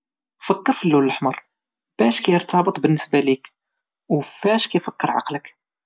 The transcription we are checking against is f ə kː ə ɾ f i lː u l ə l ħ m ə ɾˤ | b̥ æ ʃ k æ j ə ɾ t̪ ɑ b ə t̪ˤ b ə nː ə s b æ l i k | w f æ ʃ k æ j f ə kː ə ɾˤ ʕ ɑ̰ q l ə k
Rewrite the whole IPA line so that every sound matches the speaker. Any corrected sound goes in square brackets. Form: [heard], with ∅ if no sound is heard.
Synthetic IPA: f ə kː ə ɾ f i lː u l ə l ħ m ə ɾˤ | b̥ æ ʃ k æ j ə ɾ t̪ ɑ b ə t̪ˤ b ə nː ə s b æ l i k | w f æ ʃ k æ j f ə kː ə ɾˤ ʕ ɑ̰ q l ə k